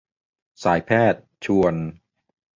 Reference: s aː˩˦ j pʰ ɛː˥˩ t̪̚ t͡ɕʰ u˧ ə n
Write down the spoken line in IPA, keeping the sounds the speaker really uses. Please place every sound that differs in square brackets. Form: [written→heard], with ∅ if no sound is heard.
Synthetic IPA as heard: s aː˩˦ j pʰ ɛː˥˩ t̪̚ t͡ɕʰ u˧ ə n